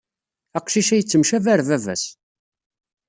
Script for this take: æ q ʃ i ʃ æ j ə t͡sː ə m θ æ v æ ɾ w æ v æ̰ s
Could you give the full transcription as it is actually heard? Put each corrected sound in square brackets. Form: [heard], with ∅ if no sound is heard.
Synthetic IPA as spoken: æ q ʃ i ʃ æ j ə t͡sː ə m [ʃ] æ v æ ɾ [v] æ v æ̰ s